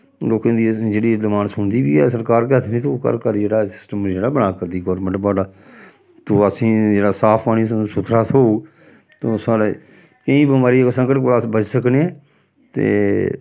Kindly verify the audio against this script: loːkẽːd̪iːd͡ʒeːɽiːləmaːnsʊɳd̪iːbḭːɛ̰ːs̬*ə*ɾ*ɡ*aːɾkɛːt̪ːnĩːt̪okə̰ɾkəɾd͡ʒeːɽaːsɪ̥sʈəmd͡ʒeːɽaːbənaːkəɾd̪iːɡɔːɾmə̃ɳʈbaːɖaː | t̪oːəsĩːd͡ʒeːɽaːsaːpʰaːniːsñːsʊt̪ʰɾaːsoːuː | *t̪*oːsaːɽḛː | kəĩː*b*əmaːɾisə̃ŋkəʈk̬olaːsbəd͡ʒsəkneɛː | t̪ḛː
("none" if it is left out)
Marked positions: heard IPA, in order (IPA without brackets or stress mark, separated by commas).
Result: ə, k, t̪, b